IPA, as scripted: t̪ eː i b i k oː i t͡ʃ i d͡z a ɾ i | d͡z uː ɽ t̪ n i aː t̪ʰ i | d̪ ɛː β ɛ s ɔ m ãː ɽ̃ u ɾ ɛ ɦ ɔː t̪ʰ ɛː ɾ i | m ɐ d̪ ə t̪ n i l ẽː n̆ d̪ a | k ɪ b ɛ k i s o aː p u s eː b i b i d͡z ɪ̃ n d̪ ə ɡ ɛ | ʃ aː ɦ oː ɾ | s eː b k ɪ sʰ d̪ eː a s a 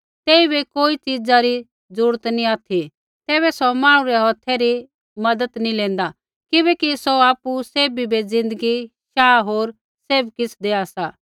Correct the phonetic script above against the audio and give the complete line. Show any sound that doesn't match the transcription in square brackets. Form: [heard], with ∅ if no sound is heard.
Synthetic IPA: t̪ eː i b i k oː i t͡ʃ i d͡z a ɾ i | d͡z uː ɽ t̪ n i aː t̪ʰ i | [t̪] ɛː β ɛ s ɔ m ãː ɽ̃ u ɾ ɛ ɦ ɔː t̪ʰ [ɛ] ɾ i | m ɐ d̪ ə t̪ n i l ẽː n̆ d̪ a | k ɪ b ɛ k i s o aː p u s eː b i b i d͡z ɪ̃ n d̪ ə ɡ [i] | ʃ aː ɦ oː ɾ | s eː b k ɪ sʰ d̪ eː a s a